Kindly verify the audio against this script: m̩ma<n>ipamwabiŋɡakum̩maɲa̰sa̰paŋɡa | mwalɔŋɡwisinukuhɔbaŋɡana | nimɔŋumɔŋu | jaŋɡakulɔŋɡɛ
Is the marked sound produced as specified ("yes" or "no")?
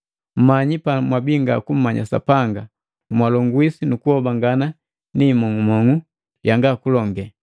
no